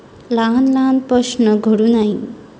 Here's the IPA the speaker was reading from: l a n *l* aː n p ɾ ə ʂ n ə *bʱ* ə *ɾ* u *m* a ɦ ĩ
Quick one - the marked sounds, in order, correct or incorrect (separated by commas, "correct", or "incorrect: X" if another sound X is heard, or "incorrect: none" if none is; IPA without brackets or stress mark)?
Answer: correct, incorrect: ɡʱ, incorrect: ɽ, incorrect: n